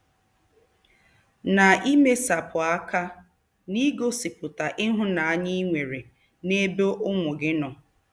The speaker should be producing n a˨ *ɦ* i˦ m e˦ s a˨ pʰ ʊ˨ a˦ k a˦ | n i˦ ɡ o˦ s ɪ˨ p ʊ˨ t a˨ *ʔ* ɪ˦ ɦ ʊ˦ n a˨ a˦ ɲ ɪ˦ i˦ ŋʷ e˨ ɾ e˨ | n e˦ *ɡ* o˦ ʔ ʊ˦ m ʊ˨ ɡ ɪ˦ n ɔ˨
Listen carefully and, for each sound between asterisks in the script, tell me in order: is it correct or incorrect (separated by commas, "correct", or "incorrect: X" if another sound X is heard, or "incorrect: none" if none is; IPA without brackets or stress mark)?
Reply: incorrect: none, correct, incorrect: b